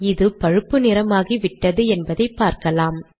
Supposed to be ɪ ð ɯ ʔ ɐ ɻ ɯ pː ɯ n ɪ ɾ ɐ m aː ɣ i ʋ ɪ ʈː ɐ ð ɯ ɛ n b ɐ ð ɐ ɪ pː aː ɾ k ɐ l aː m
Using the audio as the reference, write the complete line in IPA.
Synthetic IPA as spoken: ɪ ð ɯ p ɐ ɻ ɯ pː ɯ n ɪ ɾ ɐ m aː ɣ i ʋ ɪ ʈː ɐ ð ɯ ɛ n b ɐ ð ɐ ɪ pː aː ɾ k ɐ l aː m